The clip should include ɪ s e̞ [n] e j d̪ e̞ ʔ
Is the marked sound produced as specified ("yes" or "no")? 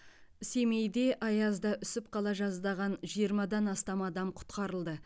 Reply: no